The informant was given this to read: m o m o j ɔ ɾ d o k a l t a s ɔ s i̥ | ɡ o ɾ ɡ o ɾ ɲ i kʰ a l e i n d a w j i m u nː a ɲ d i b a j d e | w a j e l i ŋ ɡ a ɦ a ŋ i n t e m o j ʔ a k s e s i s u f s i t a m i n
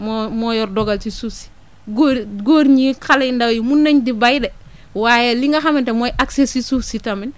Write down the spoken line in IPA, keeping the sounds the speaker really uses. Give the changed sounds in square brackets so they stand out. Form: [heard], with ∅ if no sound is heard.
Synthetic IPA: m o m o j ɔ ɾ d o [ɡ] a l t [i] s [u] s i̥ | ɡ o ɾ ɡ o ɾ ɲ i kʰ a l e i n d a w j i m u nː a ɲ d i b a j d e | w a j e l i ŋ ɡ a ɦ a [m] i n t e m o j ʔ a k s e s i s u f s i t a m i n